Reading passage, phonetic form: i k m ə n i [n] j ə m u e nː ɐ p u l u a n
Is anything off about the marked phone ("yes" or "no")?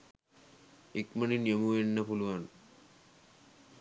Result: no